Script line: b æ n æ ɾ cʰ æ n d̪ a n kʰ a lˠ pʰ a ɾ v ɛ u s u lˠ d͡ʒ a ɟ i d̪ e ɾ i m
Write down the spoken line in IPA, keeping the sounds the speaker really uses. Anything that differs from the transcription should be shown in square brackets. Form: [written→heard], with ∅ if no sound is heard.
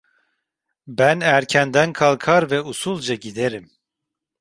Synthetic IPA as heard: b æ n æ ɾ cʰ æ n d̪ [a→æ] n kʰ a lˠ [pʰ→kʰ] a ɾ v ɛ u s u lˠ d͡ʒ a ɟ i d̪ e ɾ i m